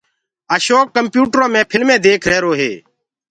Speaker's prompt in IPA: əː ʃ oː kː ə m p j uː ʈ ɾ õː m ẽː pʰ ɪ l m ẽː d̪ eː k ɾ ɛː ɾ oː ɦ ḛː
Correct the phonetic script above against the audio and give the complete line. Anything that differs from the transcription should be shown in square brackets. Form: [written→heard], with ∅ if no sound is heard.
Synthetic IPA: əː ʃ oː kː ə m p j uː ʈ ɾ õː m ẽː pʰ ɪ l m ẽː d̪ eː [k→kʰ] ɾ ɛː ɾ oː ɦ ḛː